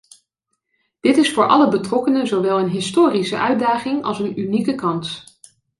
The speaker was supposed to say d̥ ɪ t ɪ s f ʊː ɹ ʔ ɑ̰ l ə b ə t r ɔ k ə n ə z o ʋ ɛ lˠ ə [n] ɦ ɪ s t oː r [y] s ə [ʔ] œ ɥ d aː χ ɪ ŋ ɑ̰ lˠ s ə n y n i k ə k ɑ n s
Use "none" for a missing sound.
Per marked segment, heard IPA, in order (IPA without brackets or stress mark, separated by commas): n, i, ʔ